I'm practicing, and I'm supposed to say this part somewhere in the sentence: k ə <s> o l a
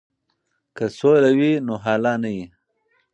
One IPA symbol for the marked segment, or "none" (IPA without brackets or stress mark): s